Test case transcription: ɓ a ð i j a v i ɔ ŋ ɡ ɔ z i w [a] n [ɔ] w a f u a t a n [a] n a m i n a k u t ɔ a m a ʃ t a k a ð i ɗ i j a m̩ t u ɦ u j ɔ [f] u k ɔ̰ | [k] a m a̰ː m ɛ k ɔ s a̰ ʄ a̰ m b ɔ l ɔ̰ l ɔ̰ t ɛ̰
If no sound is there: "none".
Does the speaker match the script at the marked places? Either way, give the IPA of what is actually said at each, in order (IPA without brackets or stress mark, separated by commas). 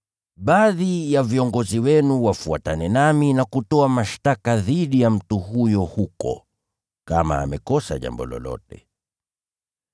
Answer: ɛ, u, ɛ, h, k